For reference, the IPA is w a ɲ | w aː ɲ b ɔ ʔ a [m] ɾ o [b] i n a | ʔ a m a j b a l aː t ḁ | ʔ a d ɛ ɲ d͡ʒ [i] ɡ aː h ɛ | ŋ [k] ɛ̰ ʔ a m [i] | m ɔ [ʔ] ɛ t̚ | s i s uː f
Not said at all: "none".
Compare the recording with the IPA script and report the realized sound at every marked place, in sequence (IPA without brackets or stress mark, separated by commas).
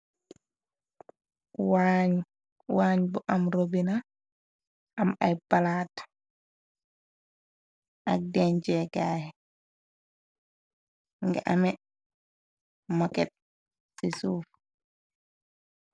m, b, ɛ, ɡ, ɛ, k